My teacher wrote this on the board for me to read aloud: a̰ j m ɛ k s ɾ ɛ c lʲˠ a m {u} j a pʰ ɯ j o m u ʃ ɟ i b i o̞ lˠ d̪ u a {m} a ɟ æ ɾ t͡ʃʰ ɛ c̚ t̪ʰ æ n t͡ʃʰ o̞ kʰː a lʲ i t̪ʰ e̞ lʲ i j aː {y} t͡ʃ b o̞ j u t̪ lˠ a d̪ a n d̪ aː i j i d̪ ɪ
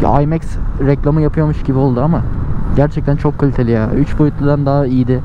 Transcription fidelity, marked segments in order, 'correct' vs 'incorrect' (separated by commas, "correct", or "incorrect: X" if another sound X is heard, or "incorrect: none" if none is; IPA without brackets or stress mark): incorrect: ɯ, correct, correct